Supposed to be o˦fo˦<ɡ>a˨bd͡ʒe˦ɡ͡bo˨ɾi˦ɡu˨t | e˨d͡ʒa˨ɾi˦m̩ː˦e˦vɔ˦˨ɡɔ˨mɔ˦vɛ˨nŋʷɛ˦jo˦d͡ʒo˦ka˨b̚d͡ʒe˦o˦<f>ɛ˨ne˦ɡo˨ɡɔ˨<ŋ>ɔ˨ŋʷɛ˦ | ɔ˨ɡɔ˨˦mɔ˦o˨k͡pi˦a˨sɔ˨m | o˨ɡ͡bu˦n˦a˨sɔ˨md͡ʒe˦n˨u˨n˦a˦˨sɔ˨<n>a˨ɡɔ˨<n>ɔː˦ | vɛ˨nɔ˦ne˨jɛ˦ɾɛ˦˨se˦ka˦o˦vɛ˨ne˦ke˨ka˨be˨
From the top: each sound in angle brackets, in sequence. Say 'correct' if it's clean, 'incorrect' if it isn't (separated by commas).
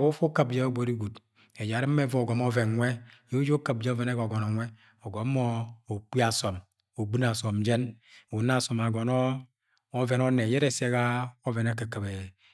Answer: incorrect, incorrect, incorrect, incorrect, correct